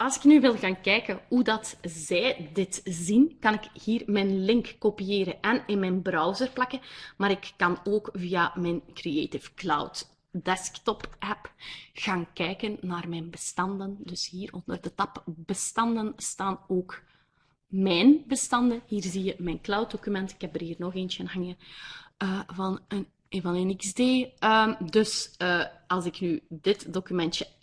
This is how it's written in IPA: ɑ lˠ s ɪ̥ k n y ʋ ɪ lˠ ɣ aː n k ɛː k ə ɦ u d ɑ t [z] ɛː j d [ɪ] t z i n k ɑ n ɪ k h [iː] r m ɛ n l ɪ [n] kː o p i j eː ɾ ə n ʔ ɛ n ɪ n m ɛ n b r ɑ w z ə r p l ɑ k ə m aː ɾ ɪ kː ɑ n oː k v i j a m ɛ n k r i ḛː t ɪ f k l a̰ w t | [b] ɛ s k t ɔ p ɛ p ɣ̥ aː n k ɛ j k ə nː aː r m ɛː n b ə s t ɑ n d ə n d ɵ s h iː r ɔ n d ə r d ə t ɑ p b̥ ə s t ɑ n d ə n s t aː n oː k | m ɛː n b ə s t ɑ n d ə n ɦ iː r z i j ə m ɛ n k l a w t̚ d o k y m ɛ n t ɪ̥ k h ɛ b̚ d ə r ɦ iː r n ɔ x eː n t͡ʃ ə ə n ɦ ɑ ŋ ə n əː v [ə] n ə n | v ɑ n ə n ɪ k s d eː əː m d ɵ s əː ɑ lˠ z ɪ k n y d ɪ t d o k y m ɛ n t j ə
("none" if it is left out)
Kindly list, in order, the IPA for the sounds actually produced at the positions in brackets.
z, ɪ, iː, ŋ, d, ɑ

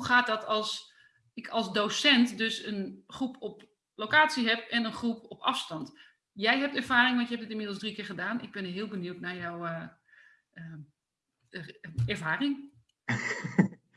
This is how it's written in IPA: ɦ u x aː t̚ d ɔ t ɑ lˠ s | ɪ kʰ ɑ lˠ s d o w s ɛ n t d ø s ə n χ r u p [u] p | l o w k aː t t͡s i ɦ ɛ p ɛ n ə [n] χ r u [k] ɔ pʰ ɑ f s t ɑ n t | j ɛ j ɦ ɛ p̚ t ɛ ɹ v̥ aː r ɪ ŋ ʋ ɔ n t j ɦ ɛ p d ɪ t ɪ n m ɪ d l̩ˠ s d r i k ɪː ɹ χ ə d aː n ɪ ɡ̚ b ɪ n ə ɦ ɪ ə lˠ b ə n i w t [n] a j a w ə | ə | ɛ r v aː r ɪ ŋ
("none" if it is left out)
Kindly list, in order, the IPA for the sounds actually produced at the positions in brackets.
ɔ, n, p, n

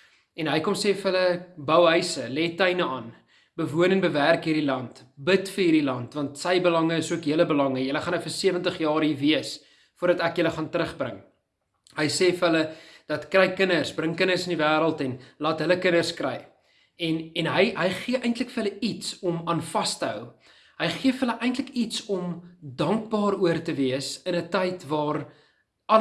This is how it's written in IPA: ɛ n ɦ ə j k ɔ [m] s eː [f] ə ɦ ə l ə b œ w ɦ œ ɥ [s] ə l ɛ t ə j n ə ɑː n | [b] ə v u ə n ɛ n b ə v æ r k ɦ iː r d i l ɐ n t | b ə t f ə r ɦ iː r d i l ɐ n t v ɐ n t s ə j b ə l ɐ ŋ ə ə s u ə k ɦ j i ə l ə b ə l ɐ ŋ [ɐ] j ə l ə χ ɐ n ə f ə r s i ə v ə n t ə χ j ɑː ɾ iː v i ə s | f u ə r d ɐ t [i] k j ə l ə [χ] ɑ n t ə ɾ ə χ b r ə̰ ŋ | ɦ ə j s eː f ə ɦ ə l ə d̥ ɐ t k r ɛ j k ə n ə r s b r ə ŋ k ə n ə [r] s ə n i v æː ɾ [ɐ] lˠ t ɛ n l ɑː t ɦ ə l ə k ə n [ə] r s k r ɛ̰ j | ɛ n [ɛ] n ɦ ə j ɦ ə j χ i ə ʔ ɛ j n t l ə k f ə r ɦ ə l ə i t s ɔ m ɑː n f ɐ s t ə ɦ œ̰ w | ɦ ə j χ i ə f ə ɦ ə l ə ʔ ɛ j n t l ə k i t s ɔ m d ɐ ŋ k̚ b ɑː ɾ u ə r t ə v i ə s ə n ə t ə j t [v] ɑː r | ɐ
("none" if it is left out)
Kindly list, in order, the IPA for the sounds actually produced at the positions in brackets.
m, f, s, b, ə, æ, χ, r, ə, ə, ɛ, v

